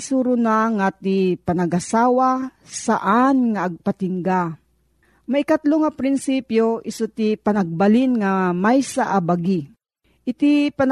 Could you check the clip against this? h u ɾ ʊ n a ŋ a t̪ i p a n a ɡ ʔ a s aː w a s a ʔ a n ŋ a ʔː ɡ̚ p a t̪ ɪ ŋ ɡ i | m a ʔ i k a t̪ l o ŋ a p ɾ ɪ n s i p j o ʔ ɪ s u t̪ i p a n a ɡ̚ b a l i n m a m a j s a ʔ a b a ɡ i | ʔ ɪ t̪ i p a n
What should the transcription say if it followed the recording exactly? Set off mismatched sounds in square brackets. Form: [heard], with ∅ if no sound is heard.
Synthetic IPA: [s] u ɾ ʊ n a ŋ a t̪ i p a n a ɡ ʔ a s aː w a s a ʔ a n ŋ a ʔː ɡ̚ p a t̪ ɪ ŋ ɡ [a] | m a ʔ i k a t̪ l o ŋ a p ɾ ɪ n s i p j o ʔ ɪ s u t̪ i p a n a ɡ̚ b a l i n [ŋ] a m a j s a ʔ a b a ɡ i | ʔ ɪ t̪ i p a n